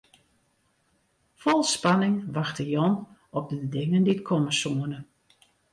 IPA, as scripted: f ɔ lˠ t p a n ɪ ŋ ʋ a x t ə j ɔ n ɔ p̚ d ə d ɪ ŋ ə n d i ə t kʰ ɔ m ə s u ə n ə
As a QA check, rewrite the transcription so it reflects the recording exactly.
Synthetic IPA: f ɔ lˠ s p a n ɪ ŋ ʋ a x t ə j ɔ n ɔ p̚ d ə d ɪ ŋ ə n d i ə t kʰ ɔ m ə s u ə n ə